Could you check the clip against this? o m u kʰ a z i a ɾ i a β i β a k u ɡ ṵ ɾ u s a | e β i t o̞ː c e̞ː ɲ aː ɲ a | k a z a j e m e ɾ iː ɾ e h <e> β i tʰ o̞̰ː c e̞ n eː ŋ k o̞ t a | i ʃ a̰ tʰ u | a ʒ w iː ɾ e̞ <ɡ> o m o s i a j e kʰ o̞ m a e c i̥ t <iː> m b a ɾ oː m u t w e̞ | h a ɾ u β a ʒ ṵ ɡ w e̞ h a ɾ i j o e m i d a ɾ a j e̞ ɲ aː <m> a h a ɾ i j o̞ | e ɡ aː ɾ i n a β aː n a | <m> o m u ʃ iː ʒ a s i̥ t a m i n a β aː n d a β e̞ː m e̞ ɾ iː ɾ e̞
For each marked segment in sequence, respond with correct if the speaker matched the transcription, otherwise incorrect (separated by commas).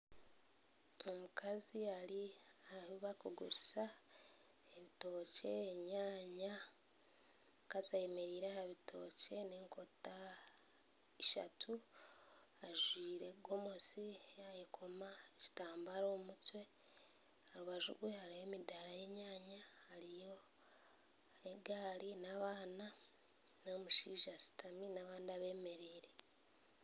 incorrect, correct, incorrect, incorrect, incorrect